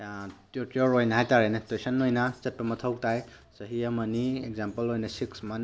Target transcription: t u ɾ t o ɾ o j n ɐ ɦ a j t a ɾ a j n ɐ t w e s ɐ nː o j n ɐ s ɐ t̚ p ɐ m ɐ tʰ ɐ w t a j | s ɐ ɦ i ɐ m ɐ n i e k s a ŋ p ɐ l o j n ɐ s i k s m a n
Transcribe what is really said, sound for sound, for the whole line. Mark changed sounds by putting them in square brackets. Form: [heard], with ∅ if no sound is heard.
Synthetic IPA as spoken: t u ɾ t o ɾ o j n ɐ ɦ a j t a ɾ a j n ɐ t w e s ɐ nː o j n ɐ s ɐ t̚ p ɐ m ɐ tʰ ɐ w t a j | s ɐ ɦ i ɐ m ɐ n i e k [z] a [m] p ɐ l o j n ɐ s i k s m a n